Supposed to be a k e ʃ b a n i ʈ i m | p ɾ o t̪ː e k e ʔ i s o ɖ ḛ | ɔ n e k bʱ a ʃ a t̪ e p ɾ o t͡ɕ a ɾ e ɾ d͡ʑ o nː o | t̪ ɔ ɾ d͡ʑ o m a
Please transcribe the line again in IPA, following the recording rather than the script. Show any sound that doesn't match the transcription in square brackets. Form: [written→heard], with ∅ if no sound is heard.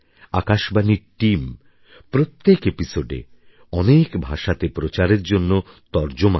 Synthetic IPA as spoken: a k [e→a] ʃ b a n i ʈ i m | p ɾ o t̪ː e k e [ʔ→p] i s o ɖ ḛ | ɔ n e k bʱ a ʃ a t̪ e p ɾ o t͡ɕ a ɾ e ɾ d͡ʑ o nː o | t̪ ɔ ɾ d͡ʑ o m a